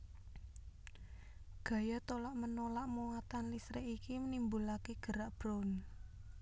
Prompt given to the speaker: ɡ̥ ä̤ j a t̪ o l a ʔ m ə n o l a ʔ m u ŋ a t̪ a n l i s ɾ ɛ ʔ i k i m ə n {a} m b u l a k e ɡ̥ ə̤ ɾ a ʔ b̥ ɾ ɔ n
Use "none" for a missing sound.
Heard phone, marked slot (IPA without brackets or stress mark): i